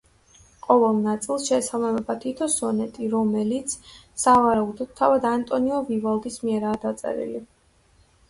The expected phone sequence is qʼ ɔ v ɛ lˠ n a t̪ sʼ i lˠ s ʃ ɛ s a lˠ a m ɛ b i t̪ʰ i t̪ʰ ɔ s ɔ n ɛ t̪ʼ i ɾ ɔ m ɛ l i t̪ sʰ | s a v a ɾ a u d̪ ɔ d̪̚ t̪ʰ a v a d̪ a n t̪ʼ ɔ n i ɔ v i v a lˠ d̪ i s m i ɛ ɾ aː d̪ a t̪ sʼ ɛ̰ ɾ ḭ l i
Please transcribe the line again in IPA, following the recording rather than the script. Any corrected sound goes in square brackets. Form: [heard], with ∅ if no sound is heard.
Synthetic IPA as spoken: qʼ ɔ v ɛ lˠ n a t̪ sʼ i lˠ s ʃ ɛ s a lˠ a m ɛ b [a] t̪ʰ i t̪ʰ ɔ s ɔ n ɛ t̪ʼ i ɾ ɔ m ɛ l i t̪ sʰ | s a v a ɾ a u d̪ ɔ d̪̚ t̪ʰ a v a d̪ a n t̪ʼ ɔ n i ɔ v i v a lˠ d̪ i s m i ɛ ɾ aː d̪ a t̪ sʼ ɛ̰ ɾ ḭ l i